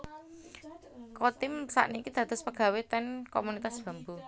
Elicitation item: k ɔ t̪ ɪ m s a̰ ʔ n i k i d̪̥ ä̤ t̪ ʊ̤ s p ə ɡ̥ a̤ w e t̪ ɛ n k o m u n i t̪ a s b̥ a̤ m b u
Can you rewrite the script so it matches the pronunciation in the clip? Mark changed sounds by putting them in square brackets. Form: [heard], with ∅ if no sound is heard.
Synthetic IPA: k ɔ t̪ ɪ m s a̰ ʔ n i k i d̪̥ ä̤ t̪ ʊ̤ s p ə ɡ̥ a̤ w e t̪ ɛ n k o m u n i t̪ a s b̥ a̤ m b u

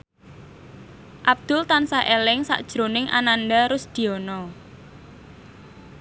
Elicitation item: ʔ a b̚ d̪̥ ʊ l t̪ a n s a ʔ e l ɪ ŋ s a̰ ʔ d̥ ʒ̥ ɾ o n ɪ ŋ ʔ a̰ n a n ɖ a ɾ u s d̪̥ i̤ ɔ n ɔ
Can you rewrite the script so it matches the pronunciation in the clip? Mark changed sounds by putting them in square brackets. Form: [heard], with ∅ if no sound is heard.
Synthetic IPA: ʔ a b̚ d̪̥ ʊ l t̪ a n s a ʔ e l ɪ ŋ s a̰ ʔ d̥ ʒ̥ ɾ o n ɪ ŋ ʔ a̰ n a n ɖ a ɾ [ʊ] s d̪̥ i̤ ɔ n ɔ

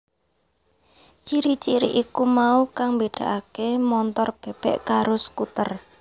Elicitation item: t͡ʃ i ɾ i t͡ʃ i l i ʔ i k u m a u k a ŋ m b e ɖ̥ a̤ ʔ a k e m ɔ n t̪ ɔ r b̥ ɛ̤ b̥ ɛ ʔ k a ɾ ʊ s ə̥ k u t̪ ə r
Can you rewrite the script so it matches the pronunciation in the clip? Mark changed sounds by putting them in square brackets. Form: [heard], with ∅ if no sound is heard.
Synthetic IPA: t͡ʃ i ɾ i t͡ʃ i [ɾ] i ʔ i k u m a u k a ŋ m b e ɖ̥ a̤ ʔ a k e m ɔ n t̪ ɔ r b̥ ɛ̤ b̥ ɛ ʔ k a ɾ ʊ s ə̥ k u t̪ ə r

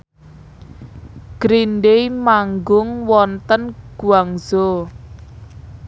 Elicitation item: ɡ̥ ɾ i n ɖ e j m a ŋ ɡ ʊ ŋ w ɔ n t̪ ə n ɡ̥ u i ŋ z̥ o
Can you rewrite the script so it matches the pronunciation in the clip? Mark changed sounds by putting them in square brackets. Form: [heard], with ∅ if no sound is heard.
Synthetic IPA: ɡ̥ ɾ i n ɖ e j m a ŋ ɡ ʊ ŋ w ɔ n t̪ ə n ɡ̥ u [a] ŋ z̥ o

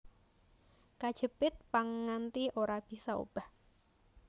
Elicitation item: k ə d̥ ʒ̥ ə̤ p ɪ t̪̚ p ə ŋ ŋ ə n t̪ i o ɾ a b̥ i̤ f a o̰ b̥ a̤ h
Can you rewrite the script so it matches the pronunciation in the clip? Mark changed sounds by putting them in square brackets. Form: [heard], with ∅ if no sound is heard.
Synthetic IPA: k [a] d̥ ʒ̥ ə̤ p ɪ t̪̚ p [a] ŋ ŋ [a] n t̪ i o ɾ a b̥ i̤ [s] a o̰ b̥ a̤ h

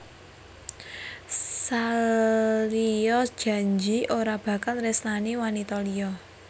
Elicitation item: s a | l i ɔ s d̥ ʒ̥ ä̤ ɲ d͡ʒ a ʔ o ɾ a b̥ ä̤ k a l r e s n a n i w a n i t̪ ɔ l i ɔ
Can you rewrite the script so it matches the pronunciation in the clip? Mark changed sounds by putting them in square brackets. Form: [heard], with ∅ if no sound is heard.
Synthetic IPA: s a | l i ɔ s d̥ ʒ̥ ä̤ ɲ d͡ʒ [i] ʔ o ɾ a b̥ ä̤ k a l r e s n a n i w a n i t̪ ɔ l i ɔ

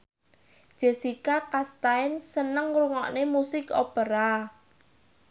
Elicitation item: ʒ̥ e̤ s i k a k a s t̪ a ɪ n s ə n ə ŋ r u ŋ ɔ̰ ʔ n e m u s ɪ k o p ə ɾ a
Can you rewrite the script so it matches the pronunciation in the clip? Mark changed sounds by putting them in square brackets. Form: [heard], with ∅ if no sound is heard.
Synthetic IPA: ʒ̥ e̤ s i k a k a s t̪ a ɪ n s ə n ə ŋ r u ŋ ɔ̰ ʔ n e m u s ɪ k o p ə ɾ a

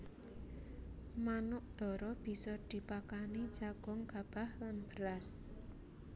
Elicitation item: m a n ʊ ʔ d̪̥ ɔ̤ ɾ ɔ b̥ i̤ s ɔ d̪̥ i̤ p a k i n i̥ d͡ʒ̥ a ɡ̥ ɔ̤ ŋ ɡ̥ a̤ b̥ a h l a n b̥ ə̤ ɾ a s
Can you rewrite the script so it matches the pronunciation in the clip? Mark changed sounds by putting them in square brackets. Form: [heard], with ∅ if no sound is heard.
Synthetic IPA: m a n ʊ ʔ d̪̥ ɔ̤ ɾ ɔ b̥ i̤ s ɔ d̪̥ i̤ p a k [a] n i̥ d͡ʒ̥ a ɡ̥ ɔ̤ ŋ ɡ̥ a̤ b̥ a h l a n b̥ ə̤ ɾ a s

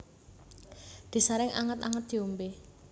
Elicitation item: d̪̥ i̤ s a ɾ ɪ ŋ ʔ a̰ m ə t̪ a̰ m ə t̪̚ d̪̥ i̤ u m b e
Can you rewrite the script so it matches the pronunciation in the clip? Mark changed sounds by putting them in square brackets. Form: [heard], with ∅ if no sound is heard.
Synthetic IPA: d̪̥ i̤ s a ɾ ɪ ŋ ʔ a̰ [ŋ] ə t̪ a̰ [ŋ] ə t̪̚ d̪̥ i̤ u m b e

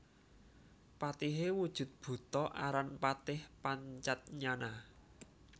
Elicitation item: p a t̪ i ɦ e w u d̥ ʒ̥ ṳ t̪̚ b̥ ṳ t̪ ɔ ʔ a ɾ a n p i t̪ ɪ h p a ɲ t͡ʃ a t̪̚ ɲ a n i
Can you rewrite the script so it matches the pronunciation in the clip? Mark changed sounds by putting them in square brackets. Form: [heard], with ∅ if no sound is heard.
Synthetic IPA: p a t̪ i ɦ e w u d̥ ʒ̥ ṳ t̪̚ b̥ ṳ t̪ ɔ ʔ a ɾ a n p [a] t̪ ɪ h p a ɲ t͡ʃ a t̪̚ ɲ a n [a]

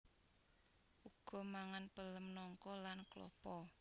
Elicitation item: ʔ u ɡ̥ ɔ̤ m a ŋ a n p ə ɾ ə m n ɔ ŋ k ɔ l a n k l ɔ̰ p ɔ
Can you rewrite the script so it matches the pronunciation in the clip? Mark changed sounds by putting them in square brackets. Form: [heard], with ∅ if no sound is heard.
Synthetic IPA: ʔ u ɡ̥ ɔ̤ m a ŋ a n p ə [l] ə m n ɔ ŋ k ɔ l a n k l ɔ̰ p ɔ

